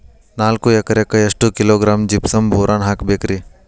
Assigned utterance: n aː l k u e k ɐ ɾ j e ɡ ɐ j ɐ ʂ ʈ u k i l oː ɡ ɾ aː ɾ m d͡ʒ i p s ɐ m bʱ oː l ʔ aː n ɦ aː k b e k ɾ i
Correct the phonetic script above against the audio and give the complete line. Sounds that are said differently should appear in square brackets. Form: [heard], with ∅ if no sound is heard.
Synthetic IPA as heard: n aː l k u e k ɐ ɾ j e [k] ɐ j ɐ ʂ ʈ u k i l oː ɡ ɾ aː [∅] m d͡ʒ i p s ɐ m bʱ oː [ɾ] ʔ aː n ɦ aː k b e k ɾ i